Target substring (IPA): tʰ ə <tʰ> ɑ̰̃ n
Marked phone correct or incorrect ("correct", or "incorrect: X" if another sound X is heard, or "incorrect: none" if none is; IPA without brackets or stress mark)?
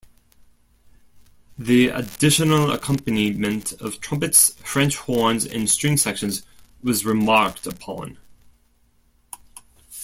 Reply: incorrect: pʰ